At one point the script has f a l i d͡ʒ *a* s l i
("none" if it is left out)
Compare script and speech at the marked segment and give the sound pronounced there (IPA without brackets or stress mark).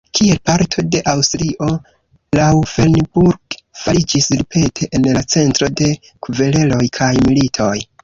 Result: i